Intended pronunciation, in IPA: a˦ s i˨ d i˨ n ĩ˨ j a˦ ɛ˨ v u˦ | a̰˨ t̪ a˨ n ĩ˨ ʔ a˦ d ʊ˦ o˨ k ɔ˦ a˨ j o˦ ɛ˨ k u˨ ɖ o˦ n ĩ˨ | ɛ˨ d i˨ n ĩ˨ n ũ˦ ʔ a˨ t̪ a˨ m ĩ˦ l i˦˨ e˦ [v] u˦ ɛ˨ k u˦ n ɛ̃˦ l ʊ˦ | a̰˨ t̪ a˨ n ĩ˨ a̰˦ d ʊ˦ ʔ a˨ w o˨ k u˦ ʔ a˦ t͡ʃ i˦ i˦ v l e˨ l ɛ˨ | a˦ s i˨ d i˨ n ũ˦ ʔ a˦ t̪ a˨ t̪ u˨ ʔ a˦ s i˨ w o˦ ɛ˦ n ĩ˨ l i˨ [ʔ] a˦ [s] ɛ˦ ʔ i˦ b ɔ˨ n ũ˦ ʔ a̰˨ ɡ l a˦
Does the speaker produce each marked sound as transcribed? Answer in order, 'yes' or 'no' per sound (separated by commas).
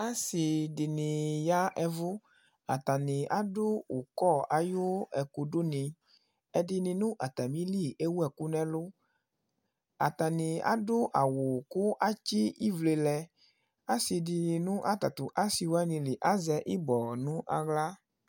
no, yes, no